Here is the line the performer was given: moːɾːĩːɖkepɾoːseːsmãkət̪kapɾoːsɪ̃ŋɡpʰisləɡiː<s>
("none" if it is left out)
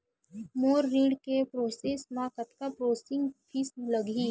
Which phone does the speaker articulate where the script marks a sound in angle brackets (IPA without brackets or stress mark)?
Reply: none